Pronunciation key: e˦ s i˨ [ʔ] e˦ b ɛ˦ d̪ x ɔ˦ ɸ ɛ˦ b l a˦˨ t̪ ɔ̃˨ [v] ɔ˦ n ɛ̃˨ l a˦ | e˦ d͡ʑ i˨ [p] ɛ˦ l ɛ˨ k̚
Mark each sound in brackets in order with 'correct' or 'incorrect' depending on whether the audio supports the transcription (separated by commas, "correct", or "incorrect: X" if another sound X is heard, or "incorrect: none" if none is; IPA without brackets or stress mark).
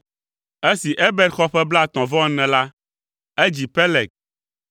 correct, correct, correct